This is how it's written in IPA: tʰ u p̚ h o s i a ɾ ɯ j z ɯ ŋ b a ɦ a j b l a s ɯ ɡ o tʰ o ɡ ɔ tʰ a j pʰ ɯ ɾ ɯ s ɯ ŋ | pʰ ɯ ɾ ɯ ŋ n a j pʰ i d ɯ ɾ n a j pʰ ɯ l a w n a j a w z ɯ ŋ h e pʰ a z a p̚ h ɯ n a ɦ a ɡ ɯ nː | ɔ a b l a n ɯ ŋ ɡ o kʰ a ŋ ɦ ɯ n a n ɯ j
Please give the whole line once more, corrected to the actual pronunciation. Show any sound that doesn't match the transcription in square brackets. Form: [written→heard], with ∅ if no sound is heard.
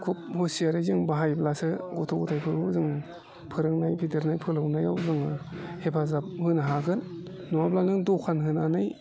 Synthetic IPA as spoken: [tʰ→kʰ] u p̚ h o s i a ɾ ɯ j z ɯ ŋ b a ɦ a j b l a s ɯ ɡ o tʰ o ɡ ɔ tʰ a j pʰ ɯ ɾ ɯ [s→z] ɯ ŋ | pʰ ɯ ɾ ɯ ŋ n a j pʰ i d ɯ ɾ n a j pʰ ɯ l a w n a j a w z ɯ ŋ h e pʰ a z a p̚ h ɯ n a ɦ a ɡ ɯ nː | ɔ a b l a n ɯ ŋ [ɡ→d] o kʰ a [ŋ→n] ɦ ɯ n a n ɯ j

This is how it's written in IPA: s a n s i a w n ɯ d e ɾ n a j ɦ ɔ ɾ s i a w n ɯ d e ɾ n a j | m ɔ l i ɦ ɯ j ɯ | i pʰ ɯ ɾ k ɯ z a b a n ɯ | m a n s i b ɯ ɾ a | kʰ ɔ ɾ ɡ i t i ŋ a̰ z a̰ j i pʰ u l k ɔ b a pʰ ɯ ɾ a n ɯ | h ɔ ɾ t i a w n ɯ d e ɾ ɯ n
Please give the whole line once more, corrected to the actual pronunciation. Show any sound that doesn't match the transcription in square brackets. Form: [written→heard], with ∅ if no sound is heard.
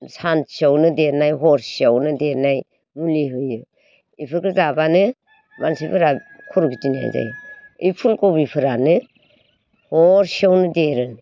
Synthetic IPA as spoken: s a n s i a w n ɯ d e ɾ n a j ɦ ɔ ɾ s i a w n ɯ d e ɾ n a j | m [ɔ→u] l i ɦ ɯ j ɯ | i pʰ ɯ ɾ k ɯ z a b a n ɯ | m a n s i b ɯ ɾ a | kʰ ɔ ɾ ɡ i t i [ŋ→n] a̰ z a̰ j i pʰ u l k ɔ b [a→i] pʰ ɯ ɾ a n ɯ | h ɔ ɾ [t→s] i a w n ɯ d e ɾ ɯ n

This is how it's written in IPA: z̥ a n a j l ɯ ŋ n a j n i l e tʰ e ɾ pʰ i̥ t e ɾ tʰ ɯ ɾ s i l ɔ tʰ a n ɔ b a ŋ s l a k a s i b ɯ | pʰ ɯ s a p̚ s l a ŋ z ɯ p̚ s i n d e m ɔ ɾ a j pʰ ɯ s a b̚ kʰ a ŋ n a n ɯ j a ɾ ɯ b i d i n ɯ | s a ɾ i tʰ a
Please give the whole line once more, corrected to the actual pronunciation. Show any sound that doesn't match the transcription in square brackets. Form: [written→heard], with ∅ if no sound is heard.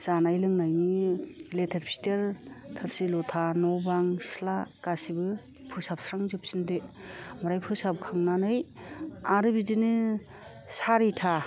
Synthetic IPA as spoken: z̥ a n a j l ɯ ŋ n a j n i l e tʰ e ɾ pʰ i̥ t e ɾ tʰ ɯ ɾ s i l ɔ tʰ a n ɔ b a ŋ s l a k a s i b ɯ | pʰ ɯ s a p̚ s [l→ɾ] a ŋ z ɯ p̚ s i n d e m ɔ ɾ a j pʰ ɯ s a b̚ kʰ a ŋ n a n ɯ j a ɾ ɯ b i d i n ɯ | s a ɾ i tʰ a

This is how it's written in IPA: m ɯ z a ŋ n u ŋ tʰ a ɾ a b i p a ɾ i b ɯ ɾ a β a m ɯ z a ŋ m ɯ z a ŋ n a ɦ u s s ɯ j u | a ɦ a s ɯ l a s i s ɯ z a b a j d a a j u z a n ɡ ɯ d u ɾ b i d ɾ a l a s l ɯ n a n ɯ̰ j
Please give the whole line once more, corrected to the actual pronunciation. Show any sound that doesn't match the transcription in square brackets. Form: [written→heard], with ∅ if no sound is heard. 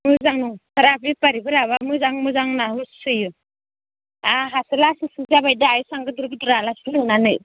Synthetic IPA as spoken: m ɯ z a ŋ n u ŋ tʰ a ɾ a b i p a ɾ i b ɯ ɾ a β a m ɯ z a ŋ m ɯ z a ŋ n a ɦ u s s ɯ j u | a ɦ a s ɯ l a s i s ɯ z a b a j d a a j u [z→s] a [n→ŋ] ɡ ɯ d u ɾ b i d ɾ a l a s l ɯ n a n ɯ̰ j

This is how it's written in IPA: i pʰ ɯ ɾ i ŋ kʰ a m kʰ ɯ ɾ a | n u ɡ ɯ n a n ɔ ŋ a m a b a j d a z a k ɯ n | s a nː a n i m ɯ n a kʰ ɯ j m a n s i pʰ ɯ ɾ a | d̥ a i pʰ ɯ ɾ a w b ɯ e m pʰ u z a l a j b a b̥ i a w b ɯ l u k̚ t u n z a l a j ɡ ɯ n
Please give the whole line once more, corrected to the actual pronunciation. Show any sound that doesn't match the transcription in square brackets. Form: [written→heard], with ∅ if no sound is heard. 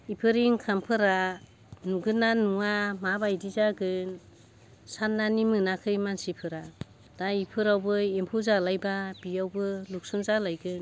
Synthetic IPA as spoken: i pʰ ɯ ɾ i ŋ kʰ a m [kʰ→pʰ] ɯ ɾ a | n u ɡ ɯ n a n [ɔ→u] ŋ a m a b a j d [a→i] z a [k→ɡ] ɯ n | s a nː a n i m ɯ n a kʰ ɯ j m a n s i pʰ ɯ ɾ a | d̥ a i pʰ ɯ ɾ a w b ɯ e m pʰ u z a l a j b a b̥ i a w b ɯ l u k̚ [t→s] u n z a l a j ɡ ɯ n

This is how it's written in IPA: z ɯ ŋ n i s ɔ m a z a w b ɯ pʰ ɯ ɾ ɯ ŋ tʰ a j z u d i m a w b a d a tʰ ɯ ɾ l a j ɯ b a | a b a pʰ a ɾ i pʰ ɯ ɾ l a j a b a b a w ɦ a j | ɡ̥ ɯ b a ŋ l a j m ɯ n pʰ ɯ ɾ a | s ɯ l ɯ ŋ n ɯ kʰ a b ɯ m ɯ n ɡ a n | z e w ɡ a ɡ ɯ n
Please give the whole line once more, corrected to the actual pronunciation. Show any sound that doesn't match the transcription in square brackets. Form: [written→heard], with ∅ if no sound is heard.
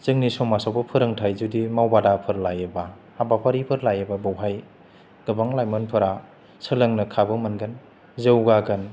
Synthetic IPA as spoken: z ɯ ŋ n i s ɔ m a [z→s] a w b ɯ pʰ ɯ ɾ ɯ ŋ tʰ a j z u d i m a w b a d a [tʰ→pʰ] ɯ ɾ l a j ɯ b a | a b a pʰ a ɾ i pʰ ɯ ɾ l a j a b a b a w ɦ a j | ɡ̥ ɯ b a ŋ l a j m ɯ n pʰ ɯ ɾ a | s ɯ l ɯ ŋ n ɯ kʰ a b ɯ m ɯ n ɡ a n | z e w ɡ a ɡ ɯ n

